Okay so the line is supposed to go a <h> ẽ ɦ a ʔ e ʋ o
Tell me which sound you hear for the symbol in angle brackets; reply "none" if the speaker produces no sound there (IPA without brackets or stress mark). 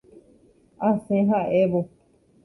s